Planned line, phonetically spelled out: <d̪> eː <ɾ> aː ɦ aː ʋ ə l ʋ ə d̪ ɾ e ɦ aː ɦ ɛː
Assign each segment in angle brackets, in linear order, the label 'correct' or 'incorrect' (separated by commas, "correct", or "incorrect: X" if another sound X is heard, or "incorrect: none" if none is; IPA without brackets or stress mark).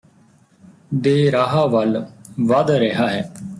correct, correct